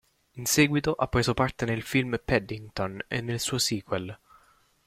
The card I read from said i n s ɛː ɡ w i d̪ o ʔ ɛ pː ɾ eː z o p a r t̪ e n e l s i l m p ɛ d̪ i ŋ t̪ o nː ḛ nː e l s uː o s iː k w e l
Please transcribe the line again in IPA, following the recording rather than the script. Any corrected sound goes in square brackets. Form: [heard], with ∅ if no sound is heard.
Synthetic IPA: i n s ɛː ɡ w i [t̪] o ʔ [a] pː ɾ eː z o p a r t̪ e n e l [f] i l m p ɛ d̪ i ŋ t̪ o [n] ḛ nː e l s uː o s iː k w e l